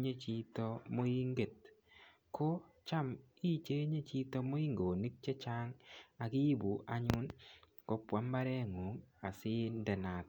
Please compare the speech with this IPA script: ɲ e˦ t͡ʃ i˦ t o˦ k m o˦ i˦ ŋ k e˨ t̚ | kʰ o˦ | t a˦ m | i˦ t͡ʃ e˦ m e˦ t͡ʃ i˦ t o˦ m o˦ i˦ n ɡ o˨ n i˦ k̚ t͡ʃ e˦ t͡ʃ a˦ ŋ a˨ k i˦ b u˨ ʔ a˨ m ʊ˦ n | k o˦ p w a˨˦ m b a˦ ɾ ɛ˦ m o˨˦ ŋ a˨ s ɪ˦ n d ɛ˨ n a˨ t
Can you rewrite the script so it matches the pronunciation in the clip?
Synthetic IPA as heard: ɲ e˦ t͡ʃ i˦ t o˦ m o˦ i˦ ŋ ɡ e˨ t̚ | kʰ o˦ | t͡ʃ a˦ m | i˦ t͡ʃ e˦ ɲ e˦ t͡ʃ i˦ t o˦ m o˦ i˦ ŋ ɡ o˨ n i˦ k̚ t͡ʃ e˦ t͡ʃ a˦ ŋ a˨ k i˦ b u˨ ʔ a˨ ɲ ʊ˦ n | k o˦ p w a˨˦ m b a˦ ɾ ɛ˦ ŋ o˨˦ ŋ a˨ s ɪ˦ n d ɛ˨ n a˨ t